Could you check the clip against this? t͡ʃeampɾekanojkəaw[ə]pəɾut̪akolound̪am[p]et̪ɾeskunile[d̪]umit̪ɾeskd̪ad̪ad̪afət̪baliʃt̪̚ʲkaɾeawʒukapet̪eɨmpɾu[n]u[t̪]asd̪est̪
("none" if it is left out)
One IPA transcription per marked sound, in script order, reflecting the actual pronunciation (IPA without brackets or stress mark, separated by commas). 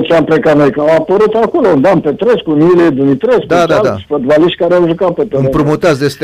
a, p, d̪, m, t̪